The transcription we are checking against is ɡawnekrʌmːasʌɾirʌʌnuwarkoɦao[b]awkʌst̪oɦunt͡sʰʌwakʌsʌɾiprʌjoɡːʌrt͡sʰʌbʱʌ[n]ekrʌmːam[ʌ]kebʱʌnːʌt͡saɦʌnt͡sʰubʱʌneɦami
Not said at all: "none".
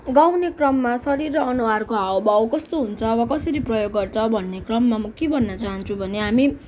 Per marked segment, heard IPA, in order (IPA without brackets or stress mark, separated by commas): b, nː, ʌ